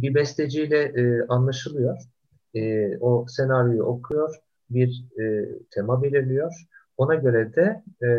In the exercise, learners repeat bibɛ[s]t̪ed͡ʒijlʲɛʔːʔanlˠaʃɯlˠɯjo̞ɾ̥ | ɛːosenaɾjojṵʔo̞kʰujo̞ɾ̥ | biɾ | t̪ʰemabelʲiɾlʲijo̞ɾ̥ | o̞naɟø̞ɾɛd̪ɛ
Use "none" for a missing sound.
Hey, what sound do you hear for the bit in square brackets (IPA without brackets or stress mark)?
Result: s